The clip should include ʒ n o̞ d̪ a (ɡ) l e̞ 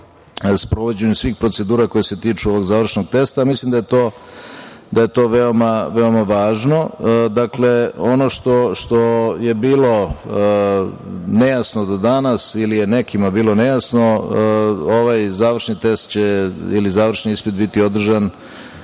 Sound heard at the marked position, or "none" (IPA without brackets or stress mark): k